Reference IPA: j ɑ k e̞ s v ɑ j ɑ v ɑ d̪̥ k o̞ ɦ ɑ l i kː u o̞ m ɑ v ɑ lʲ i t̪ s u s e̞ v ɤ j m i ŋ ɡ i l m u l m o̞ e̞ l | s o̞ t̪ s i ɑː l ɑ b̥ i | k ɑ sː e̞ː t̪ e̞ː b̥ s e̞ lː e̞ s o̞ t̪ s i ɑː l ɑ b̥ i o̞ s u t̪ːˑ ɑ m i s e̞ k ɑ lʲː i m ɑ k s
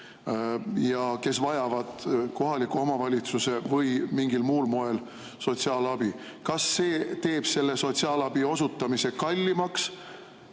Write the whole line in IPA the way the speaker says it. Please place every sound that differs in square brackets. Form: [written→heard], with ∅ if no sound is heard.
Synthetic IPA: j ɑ k e̞ s v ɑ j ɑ v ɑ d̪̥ k o̞ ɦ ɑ l i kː u o̞ m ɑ v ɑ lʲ i t̪ s u s e̞ v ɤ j m i ŋ ɡ i l m [u→uː] l m o̞ e̞ l | s o̞ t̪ s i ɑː l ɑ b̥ i | k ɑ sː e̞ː t̪ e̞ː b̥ s e̞ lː e̞ s o̞ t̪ s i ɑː l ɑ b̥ i o̞ s u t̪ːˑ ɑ m i s e̞ k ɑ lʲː i m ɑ k s

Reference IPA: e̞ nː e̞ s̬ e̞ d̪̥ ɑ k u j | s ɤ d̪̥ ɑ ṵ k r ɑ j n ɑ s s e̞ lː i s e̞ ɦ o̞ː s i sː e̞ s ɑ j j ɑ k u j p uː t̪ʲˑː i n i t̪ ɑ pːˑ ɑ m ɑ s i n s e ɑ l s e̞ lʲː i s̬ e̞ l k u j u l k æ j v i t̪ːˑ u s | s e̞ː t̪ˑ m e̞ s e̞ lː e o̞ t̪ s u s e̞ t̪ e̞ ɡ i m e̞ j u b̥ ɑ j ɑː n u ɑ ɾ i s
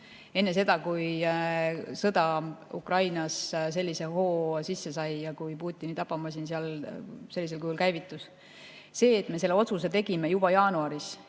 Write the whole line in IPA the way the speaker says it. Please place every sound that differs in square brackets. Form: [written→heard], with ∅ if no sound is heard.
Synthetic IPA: e̞ nː e̞ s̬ e̞ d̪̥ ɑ k u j | s ɤ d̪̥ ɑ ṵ k r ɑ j n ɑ s s e̞ lː i s e̞ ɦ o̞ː s i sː e̞ s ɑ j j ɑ k u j p uː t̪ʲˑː i n i t̪ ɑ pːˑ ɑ m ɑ s i n s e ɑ l s e̞ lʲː i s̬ e̞ l k u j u l k æ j v i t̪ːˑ u s | s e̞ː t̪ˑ m e̞ s e̞ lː e o̞ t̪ s u s e̞ t̪ e̞ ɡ i m e̞ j u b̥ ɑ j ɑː n u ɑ ɾ i s

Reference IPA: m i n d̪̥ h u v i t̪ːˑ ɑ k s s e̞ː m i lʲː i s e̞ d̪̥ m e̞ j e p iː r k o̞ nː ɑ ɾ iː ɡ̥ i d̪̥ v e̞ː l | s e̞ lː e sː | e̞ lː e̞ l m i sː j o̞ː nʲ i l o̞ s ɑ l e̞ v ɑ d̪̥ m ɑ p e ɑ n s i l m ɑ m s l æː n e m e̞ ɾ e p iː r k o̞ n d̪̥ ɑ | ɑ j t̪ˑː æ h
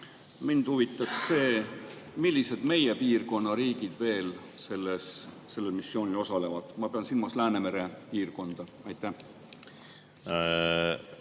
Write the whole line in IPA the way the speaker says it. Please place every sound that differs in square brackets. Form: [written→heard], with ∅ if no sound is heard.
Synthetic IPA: m i n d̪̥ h u v i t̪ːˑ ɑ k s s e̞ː m i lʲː i s e̞ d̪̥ m e̞ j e p iː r k o̞ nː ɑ ɾ iː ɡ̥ i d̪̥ v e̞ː l | s e̞ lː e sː | e̞ lː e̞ l m i sː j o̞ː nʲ i l o̞ s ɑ l e̞ v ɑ d̪̥ m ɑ p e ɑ n s i l m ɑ [m→∅] s l æː n e m e̞ ɾ e p iː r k o̞ n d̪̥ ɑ | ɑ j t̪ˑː æ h

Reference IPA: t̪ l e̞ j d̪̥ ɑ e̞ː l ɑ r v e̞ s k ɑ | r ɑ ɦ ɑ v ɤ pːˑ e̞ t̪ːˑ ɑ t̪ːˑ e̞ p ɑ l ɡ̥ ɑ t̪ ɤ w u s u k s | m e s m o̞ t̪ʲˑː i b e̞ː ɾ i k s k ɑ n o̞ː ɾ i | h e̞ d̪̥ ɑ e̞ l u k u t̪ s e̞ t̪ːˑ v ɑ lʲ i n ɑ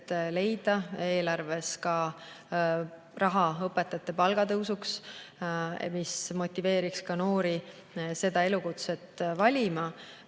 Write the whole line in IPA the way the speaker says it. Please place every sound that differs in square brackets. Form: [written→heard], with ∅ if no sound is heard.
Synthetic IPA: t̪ l e̞ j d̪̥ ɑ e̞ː l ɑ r v e̞ s k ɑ | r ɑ ɦ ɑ [v→∅] ɤ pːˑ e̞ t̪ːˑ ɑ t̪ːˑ e̞ p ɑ l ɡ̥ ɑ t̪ ɤ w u s u k s | m [e→i] s m o̞ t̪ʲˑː i [b→v] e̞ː ɾ i k s k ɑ n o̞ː ɾ i | [h→s] e̞ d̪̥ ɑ e̞ l u k u t̪ s e̞ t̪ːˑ v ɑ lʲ i [n→m] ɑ

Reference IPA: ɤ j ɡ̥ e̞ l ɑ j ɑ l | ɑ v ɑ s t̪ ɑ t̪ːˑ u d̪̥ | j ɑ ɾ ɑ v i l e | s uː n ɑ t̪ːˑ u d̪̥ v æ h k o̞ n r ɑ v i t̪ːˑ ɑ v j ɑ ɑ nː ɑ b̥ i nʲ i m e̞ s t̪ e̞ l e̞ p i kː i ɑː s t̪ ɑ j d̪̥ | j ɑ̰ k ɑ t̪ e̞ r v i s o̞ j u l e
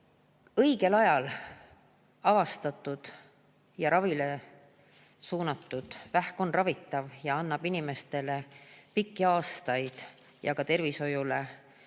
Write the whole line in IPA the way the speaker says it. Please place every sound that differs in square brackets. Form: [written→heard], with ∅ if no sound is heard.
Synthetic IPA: ɤ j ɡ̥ e̞ l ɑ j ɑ l | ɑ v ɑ s t̪ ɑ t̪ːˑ u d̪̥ | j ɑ ɾ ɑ v i l e | s uː n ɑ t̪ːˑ u d̪̥ v æ h k o̞ n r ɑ v i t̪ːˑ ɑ v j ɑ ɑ nː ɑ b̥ i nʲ i m e̞ s t̪ e̞ l e̞ p i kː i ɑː s t̪ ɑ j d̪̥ | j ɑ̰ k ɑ t̪ e̞ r v i s o̞ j u l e

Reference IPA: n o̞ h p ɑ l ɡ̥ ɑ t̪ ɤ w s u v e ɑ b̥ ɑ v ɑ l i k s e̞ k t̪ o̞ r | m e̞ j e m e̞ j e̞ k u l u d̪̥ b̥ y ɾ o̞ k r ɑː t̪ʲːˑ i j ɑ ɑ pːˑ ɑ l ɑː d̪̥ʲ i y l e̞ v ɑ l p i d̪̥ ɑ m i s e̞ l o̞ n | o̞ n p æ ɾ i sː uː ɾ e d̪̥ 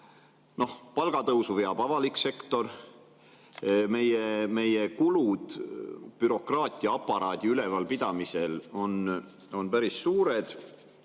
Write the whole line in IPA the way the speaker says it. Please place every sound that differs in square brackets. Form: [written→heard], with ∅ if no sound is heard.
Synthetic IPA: n o̞ h p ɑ l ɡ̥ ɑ t̪ ɤ w s u v e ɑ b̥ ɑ v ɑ l i k s e̞ k t̪ o̞ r | m e̞ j e m e̞ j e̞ k u l u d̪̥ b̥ y ɾ o̞ k r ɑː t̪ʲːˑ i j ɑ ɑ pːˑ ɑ [l→ɾ] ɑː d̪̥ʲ i y l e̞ v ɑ l p i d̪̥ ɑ m i s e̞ l o̞ n | o̞ n p æ ɾ i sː uː ɾ e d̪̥

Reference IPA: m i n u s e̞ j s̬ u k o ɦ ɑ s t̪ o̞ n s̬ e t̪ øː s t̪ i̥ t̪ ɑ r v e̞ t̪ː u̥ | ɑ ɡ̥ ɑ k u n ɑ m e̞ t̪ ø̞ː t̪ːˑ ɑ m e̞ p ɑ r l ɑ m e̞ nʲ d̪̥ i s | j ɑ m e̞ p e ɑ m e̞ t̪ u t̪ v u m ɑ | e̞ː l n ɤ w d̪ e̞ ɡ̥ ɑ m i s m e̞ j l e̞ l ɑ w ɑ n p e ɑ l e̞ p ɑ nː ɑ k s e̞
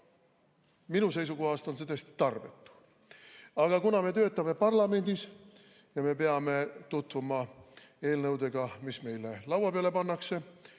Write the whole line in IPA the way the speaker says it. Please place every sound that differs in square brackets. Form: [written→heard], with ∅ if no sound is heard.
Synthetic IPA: m i n u s e̞ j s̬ u k o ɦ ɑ s t̪ o̞ n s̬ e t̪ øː s t̪ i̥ t̪ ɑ r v e̞ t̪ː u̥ | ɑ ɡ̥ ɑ k u n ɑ m e̞ t̪ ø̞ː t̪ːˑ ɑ m e̞ p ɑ r l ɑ m e̞ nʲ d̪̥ i s | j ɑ m e̞ p e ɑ m e̞ t̪ u t̪ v u m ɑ | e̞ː l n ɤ w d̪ e̞ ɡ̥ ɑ m i s m e̞ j l e̞ l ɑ w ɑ [n→∅] p e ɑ l e̞ p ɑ nː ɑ k s e̞

